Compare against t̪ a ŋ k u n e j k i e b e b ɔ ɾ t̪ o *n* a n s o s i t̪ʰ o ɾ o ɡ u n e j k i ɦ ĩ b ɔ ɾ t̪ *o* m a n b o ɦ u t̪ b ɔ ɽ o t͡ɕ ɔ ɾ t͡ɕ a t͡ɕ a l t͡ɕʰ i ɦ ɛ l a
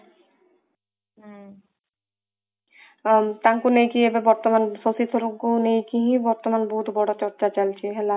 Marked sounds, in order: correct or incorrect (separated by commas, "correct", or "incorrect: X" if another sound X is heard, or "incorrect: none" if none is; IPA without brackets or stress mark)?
incorrect: m, correct